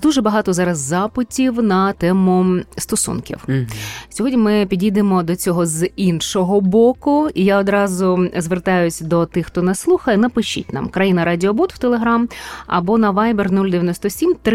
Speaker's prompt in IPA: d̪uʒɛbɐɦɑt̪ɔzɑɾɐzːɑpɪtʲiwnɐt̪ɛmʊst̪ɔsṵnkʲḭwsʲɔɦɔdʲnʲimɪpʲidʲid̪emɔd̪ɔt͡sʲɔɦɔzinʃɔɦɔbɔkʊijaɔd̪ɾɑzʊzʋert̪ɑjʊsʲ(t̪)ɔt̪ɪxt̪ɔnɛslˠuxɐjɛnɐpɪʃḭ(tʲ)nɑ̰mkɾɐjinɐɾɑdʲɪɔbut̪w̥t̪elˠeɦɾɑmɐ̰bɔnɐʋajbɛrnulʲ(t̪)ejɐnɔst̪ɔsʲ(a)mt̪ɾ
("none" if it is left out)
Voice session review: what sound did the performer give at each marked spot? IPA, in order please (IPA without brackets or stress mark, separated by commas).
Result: d̪, tʲ, d̪, i